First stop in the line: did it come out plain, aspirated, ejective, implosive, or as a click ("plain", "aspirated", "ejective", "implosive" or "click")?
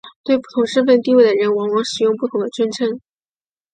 plain